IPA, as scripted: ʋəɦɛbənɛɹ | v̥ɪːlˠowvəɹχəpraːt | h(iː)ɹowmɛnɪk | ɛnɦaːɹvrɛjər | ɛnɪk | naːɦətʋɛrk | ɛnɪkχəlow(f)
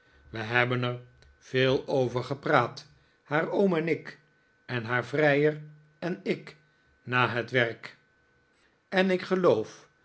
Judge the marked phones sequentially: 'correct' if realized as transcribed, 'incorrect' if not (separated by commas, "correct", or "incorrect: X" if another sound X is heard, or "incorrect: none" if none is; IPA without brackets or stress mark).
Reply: incorrect: aː, correct